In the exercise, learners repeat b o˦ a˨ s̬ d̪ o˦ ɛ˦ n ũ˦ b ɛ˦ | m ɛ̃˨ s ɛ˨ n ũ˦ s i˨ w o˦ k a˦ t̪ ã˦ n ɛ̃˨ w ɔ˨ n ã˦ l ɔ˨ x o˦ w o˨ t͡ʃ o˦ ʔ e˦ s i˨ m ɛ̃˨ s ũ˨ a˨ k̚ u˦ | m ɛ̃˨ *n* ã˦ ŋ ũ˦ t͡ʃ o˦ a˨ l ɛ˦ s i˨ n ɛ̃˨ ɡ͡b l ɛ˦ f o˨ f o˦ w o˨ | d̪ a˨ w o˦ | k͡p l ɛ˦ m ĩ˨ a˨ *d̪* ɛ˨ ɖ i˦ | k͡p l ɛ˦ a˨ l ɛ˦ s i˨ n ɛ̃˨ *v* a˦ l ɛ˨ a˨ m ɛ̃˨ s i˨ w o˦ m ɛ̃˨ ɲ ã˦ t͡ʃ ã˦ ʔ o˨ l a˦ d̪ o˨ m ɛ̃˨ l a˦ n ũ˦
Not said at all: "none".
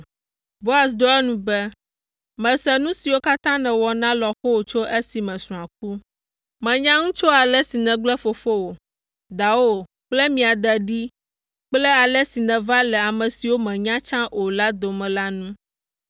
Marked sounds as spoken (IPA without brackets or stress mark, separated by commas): ɲ, d̪, v